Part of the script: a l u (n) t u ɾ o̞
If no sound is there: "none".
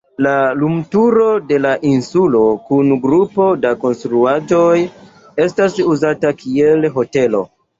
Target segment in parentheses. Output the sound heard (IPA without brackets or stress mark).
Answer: m